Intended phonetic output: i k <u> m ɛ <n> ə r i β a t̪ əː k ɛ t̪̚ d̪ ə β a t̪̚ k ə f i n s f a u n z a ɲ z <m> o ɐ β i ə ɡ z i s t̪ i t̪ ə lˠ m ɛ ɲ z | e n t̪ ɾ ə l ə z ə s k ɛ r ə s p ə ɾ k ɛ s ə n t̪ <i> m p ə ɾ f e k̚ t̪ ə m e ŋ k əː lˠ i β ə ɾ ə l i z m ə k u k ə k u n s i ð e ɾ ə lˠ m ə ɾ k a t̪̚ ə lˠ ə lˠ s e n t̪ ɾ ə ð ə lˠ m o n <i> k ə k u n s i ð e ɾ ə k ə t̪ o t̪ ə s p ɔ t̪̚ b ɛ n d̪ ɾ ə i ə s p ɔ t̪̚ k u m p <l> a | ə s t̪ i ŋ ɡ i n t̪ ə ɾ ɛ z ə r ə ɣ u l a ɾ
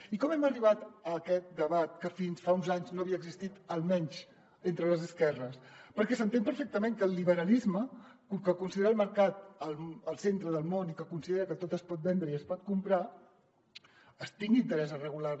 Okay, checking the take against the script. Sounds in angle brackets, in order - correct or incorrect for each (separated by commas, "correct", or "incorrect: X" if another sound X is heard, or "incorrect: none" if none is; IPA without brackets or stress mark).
incorrect: ɔ, incorrect: m, incorrect: n, incorrect: e, correct, incorrect: ɾ